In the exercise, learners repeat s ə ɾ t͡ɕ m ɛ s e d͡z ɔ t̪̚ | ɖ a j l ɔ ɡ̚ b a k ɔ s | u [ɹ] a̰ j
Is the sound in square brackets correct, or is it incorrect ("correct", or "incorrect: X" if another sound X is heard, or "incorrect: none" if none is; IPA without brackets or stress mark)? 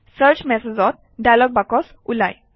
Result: incorrect: l